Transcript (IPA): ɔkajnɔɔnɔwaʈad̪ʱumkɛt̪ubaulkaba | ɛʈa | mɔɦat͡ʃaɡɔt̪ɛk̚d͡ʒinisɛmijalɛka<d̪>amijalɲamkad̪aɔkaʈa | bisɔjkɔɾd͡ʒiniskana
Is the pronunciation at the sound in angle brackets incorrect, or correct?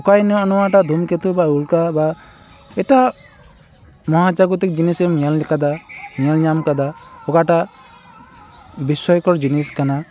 correct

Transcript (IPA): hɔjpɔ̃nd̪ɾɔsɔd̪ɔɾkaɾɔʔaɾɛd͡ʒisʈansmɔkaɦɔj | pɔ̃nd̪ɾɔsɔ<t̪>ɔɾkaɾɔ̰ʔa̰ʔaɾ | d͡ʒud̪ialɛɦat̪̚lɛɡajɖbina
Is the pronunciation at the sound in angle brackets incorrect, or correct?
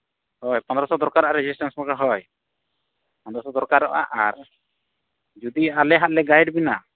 incorrect: d̪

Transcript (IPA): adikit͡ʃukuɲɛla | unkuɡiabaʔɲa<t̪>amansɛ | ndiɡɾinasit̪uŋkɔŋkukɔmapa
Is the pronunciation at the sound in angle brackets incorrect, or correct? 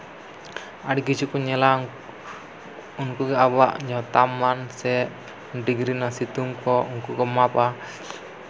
correct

